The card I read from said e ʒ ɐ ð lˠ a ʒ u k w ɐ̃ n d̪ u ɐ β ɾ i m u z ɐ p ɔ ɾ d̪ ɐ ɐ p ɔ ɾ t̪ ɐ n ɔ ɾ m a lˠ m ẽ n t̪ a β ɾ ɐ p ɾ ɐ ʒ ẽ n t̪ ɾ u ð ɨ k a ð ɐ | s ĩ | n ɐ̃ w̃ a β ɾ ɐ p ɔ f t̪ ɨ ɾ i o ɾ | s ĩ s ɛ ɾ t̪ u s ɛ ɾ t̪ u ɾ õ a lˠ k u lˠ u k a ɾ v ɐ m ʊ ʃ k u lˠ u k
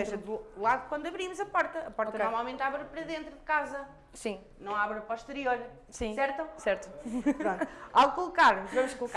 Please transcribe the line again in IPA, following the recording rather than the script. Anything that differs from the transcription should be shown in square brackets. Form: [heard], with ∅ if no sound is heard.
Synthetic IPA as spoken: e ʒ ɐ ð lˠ a [ð] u k w ɐ̃ n d̪ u ɐ β ɾ i m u z ɐ p ɔ ɾ [t̪] ɐ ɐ p ɔ ɾ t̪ ɐ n ɔ ɾ m a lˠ m ẽ n t̪ a β ɾ ɐ p ɾ ɐ [ð] ẽ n t̪ ɾ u ð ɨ k a [z] ɐ | s ĩ | n ɐ̃ w̃ a β ɾ ɐ p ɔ [ʃ] t̪ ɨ ɾ i o ɾ | s ĩ s ɛ ɾ t̪ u s ɛ ɾ t̪ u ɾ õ a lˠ k u lˠ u k a ɾ v ɐ m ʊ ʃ k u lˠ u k